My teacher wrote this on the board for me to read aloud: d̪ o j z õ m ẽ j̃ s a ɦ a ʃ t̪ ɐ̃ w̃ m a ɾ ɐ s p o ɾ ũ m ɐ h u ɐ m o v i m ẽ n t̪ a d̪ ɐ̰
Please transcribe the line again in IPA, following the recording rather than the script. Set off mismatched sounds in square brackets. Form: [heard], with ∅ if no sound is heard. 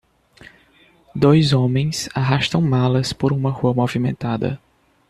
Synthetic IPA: d̪ o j z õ m ẽ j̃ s a ɦ a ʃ t̪ ɐ̃ w̃ m a [l] ɐ s p o ɾ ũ m ɐ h u ɐ m o v i m ẽ n t̪ a d̪ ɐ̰

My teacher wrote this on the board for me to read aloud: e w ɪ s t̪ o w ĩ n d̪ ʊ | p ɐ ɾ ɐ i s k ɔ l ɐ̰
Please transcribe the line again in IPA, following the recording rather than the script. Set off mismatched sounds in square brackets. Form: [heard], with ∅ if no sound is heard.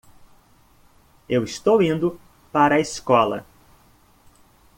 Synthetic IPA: e w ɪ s t̪ o w ĩ n d̪ ʊ | p [a] ɾ ɐ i s k ɔ l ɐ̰

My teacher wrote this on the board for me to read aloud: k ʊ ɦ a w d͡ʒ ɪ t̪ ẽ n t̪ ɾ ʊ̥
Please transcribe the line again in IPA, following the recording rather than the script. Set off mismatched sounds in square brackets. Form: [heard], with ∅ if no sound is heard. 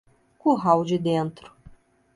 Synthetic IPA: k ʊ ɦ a w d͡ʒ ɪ [d̪] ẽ n t̪ ɾ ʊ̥

